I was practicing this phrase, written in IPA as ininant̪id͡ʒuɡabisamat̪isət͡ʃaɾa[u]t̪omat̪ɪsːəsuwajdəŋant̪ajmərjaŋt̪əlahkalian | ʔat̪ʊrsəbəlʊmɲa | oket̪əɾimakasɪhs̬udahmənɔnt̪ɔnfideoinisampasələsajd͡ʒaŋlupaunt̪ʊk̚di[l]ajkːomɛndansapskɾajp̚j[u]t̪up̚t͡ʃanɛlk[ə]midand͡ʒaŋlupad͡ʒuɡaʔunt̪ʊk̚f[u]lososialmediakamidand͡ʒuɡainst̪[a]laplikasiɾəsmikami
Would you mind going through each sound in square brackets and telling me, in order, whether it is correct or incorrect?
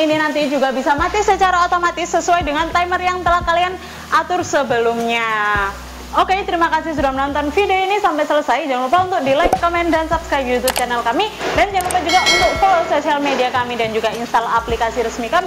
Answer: incorrect, correct, correct, incorrect, incorrect, correct

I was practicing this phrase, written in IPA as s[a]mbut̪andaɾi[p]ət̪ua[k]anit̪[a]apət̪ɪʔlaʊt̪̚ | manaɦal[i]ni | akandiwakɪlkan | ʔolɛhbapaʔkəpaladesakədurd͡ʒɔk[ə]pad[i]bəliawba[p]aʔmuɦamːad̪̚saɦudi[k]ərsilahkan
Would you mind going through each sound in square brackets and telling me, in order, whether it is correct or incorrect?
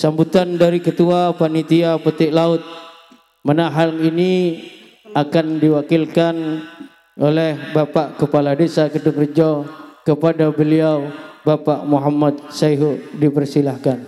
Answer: correct, incorrect, incorrect, incorrect, correct, correct, incorrect, correct, incorrect

